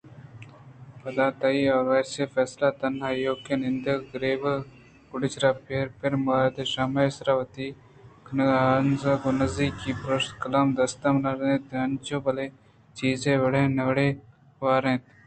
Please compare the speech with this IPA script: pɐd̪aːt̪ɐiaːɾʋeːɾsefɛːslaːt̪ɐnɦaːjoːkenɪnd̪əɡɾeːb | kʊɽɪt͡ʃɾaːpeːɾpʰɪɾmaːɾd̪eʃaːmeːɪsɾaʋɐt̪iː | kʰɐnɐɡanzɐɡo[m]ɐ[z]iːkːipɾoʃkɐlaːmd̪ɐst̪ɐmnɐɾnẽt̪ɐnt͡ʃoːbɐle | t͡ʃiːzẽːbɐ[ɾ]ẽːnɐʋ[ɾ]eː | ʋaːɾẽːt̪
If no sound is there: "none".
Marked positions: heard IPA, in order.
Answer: n, z, ɽ, ɽ

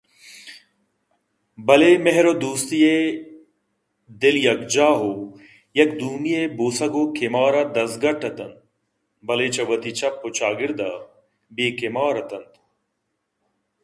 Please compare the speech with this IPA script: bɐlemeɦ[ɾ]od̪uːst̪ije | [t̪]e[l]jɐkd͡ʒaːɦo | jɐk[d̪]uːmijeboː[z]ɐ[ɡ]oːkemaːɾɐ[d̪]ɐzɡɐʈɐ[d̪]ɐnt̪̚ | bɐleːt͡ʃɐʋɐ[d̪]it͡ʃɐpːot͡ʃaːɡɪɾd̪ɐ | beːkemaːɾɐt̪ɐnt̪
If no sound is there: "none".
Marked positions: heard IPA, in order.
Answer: ɾ, d̪, l, d̪, s, ɡ, d̪, t̪, t̪

